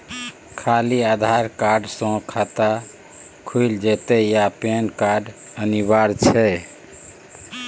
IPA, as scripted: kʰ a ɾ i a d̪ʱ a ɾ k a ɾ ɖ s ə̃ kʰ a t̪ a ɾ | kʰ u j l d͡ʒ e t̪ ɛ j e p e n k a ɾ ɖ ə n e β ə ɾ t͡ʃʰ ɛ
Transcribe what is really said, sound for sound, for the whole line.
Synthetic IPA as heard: kʰ a l i a d̪ʱ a ɾ k a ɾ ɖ s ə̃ kʰ a t̪ a | kʰ u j l d͡ʒ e t̪ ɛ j a p e n k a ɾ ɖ ə n i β a ɾ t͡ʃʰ ɛ